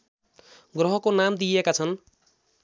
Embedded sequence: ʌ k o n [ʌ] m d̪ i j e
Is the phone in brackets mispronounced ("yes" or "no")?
yes